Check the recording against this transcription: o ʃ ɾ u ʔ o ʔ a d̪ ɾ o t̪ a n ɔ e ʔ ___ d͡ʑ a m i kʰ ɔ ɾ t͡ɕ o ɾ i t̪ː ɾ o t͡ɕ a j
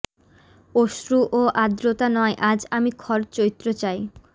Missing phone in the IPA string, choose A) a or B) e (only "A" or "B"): A